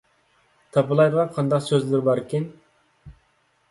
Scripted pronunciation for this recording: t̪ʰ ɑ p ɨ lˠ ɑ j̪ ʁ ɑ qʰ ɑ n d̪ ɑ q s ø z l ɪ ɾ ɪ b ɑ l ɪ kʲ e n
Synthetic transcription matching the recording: t̪ʰ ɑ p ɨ lˠ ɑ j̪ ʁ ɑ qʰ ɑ n d̪ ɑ q s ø z l ɪ ɾ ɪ b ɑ ɾ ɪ kʲ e n